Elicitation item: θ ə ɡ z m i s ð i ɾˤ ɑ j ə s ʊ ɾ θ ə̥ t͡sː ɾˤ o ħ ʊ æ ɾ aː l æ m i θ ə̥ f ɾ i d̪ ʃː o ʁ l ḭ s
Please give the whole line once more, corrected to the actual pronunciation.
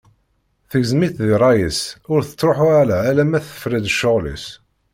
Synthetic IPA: θ ə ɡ z m i θ ð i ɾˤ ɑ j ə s ʊ ɾ θ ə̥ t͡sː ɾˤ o ħ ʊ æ ɾ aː l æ m æ θ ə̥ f ɾ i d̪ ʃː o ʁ l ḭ s